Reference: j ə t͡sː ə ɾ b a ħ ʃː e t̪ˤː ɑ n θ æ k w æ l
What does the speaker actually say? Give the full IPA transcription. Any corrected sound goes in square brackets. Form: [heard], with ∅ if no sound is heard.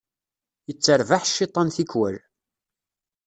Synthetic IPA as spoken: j ə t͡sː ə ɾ [v] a ħ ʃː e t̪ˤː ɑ n θ [i] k w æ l